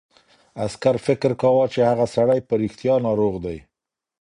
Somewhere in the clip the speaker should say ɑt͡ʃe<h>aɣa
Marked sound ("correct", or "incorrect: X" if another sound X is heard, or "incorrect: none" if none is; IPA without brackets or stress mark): correct